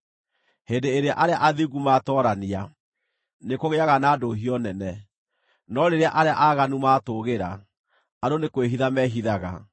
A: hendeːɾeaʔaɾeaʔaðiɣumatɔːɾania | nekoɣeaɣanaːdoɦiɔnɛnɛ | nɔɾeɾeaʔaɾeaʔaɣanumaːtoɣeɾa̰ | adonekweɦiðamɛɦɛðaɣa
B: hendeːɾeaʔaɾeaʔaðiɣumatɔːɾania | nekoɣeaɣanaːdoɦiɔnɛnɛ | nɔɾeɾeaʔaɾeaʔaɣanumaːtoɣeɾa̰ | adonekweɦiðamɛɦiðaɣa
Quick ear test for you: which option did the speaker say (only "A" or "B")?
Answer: B